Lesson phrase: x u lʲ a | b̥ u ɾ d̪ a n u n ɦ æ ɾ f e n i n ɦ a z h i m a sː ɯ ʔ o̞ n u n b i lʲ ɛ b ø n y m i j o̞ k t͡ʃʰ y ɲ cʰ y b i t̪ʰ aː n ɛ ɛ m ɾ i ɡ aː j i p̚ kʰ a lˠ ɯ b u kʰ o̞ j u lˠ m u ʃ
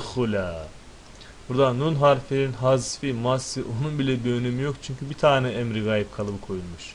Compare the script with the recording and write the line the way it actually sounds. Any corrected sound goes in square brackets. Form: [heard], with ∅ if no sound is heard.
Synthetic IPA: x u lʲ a | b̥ u ɾ d̪ a n u n ɦ [a] ɾ f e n i n ɦ a z [f] i m a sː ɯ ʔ o̞ n u n b i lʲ ɛ b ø n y m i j o̞ k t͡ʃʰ y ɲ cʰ y b i t̪ʰ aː n ɛ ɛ m ɾ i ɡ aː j i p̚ kʰ a lˠ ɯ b [ɯ] kʰ o̞ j u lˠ m u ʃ